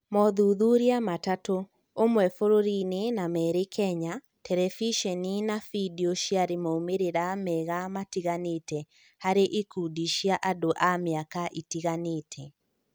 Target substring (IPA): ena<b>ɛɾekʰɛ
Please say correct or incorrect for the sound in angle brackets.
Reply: incorrect